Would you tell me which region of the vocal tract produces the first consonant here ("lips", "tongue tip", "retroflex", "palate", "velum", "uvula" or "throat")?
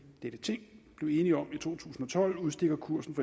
tongue tip